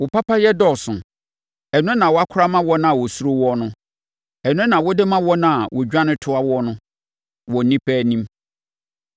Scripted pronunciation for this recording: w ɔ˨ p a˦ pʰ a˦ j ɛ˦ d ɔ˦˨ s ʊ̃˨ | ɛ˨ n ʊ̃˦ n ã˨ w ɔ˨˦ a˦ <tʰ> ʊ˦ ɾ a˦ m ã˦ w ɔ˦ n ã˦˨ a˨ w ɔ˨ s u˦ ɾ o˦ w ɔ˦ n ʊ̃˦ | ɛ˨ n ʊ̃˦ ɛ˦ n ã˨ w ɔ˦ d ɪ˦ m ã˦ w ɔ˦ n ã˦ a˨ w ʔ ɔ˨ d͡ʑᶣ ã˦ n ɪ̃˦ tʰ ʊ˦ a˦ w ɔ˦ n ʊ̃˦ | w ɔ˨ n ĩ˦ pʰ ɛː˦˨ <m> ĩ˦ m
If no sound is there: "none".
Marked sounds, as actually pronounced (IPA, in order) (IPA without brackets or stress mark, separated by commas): kʰ, n